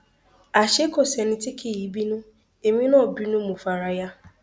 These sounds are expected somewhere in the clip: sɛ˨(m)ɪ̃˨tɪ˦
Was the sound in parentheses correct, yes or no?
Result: no